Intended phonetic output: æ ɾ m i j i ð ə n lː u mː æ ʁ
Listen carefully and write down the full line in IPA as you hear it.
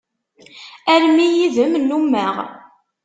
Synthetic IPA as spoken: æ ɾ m i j i ð ə m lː u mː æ ʁ